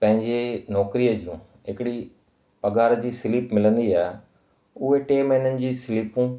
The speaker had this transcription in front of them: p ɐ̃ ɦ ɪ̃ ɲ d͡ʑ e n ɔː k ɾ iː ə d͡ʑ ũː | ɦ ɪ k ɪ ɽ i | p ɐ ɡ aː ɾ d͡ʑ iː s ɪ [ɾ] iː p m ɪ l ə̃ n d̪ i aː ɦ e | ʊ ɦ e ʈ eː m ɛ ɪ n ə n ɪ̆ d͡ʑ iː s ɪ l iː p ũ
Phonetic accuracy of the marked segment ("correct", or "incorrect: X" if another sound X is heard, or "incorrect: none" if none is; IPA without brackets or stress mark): incorrect: l